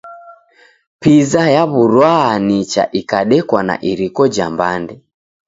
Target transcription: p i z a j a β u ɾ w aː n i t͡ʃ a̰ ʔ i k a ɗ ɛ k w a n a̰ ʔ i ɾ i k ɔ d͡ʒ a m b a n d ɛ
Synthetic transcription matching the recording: p i z a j a β u ɾ w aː n i t͡ʃ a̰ ʔ i k a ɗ ɛ k w a n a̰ ʔ i ɾ i k ɔ d͡ʒ a m b a n d ɛ